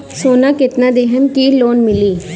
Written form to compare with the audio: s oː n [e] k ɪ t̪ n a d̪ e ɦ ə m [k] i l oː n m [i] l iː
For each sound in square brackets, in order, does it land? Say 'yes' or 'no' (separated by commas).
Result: no, yes, no